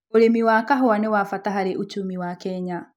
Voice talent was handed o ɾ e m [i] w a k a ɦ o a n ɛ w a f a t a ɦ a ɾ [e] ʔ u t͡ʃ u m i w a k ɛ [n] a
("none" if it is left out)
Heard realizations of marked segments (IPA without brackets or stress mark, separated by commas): i, e, ɲ